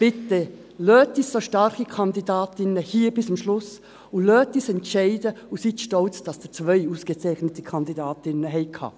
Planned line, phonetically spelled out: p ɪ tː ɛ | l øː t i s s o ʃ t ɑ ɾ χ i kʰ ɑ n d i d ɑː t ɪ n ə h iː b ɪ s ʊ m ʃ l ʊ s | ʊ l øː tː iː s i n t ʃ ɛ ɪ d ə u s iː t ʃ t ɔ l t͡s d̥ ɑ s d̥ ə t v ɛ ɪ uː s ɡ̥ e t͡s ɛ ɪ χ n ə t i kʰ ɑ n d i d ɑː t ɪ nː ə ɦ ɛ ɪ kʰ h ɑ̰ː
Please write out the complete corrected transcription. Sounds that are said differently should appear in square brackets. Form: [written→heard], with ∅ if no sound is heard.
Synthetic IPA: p ɪ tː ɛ | l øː t i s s o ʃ t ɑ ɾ χ i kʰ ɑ n d i d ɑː t ɪ n ə h iː b ɪ s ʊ m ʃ l ʊ s | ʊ l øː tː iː s [i→ɛ] n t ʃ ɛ ɪ d ə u s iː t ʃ t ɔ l t͡s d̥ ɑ s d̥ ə [t→t͡s] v [ɛ→œ] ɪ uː s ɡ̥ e t͡s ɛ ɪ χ n ə t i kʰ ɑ n d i d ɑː t ɪ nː ə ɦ ɛ ɪ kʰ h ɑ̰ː